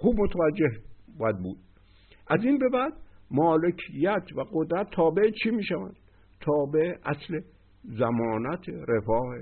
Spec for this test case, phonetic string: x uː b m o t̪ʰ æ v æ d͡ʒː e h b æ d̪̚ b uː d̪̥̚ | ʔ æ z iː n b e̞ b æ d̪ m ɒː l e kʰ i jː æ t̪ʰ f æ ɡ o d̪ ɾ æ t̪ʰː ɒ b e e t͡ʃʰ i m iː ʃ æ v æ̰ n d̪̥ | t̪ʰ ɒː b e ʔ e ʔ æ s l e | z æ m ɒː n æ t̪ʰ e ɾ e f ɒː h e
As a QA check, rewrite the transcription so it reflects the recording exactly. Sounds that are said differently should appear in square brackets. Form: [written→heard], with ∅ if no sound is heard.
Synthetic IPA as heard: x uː b m o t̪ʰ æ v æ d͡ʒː e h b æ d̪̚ b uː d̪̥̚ | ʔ æ z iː n b e̞ b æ d̪ m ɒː l e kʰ i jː æ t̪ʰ [f→v] æ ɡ o d̪ ɾ æ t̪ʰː [ɒ→ɒː] b e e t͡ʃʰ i m iː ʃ æ v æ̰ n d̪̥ | t̪ʰ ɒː b e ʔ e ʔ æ s l e | z æ m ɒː n æ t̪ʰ e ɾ e f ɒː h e